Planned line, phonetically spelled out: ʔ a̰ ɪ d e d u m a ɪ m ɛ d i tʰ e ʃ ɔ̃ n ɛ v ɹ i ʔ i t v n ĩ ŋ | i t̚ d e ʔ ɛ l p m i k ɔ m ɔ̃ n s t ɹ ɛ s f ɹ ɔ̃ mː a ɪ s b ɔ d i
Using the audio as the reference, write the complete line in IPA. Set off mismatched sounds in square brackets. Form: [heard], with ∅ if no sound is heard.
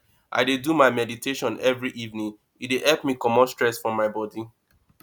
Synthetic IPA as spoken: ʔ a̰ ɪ d e d u m a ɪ m ɛ d i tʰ e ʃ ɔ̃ n ɛ v ɹ i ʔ i [∅] v n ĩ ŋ | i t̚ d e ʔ ɛ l p m i k ɔ m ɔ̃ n s t ɹ ɛ s f ɹ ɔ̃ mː a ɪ [∅] b ɔ d i